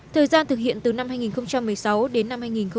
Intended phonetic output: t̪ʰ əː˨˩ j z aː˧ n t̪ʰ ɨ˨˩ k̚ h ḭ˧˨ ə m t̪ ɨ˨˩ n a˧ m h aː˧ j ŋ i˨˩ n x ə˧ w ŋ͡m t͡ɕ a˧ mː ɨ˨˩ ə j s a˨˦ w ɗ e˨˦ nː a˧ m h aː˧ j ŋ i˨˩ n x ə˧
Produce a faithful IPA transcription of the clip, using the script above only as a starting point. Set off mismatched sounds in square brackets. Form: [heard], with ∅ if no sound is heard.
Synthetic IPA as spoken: t̪ʰ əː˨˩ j z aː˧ n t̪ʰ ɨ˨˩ k̚ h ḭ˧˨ ə [n] t̪ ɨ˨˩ n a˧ m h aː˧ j ŋ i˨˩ n x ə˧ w ŋ͡m t͡ɕ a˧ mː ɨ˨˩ ə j s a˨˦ w ɗ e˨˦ nː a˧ m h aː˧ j ŋ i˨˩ n x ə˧